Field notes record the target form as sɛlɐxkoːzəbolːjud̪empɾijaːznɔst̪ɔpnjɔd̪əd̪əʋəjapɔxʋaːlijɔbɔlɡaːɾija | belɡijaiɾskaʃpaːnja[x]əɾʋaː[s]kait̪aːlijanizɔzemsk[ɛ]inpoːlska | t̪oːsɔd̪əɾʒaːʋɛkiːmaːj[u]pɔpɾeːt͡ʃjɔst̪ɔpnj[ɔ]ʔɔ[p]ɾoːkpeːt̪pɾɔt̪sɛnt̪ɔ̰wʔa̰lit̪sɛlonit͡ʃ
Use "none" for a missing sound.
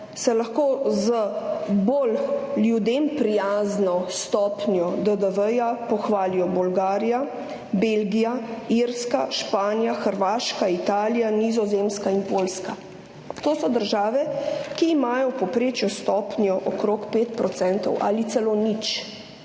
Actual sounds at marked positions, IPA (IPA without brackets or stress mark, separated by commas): x, ʃ, a, ɔ, ɔ, k